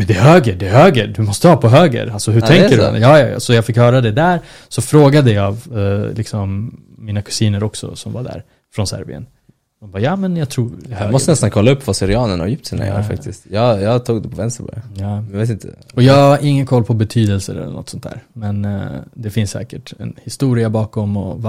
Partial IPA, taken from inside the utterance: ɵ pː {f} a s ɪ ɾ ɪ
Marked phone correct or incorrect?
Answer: incorrect